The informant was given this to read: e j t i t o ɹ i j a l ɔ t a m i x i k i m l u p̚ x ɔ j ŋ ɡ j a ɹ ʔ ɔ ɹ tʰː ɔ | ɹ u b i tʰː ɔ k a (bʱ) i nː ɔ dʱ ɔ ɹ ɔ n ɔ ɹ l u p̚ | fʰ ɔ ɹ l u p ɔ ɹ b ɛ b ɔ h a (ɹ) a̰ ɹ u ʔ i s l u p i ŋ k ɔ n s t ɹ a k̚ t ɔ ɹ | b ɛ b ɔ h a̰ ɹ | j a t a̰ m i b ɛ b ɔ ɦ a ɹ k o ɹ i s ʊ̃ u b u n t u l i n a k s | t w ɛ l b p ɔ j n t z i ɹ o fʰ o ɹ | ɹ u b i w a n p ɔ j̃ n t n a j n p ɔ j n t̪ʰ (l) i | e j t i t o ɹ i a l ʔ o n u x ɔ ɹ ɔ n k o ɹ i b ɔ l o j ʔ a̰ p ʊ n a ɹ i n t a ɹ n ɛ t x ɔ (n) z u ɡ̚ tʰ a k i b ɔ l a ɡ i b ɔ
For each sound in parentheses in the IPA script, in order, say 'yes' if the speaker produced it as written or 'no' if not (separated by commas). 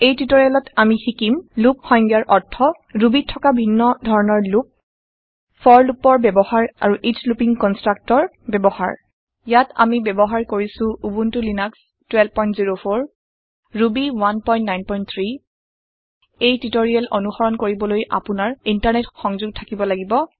yes, yes, no, no